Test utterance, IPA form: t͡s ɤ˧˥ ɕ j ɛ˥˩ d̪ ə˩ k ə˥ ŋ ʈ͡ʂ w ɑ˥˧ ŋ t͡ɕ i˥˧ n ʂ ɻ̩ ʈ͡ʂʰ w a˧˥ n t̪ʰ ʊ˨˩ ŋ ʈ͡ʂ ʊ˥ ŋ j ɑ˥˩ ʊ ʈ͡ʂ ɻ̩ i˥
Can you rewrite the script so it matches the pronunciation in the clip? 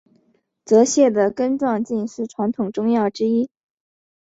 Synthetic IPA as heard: t͡s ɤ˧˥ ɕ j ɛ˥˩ d̪ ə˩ k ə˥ n ʈ͡ʂ w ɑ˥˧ ŋ t͡ɕ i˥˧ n ʂ ɻ̩ ʈ͡ʂʰ w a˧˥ n t̪ʰ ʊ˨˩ ŋ ʈ͡ʂ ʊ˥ ŋ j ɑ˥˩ ʊ ʈ͡ʂ ɻ̩ i˥